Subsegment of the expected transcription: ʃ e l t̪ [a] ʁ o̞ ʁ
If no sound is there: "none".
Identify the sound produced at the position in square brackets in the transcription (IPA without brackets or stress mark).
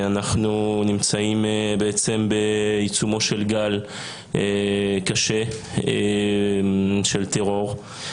e